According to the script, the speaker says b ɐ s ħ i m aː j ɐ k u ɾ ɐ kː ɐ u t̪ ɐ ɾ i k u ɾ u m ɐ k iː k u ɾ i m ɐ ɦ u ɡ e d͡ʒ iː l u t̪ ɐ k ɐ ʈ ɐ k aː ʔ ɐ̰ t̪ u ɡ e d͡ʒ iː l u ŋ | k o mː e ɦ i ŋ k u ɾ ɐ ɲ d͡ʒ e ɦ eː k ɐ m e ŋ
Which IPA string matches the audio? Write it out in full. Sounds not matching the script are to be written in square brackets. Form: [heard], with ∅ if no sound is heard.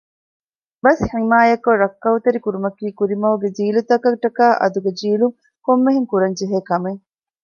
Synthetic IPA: b ɐ s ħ i m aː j ɐ k [o] ɾ ɐ kː ɐ u t̪ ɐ ɾ i k u ɾ u m ɐ k iː k u ɾ i m ɐ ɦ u ɡ e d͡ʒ iː l u t̪ ɐ k ɐ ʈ ɐ k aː ʔ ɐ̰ [d̪] u ɡ e d͡ʒ iː l u ŋ | k o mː e ɦ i ŋ k u ɾ ɐ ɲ d͡ʒ e ɦ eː k ɐ m e ŋ